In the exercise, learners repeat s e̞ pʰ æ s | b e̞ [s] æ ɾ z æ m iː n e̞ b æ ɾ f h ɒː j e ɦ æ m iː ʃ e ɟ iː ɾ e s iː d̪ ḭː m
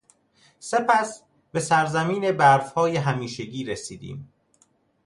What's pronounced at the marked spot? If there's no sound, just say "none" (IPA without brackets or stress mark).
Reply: s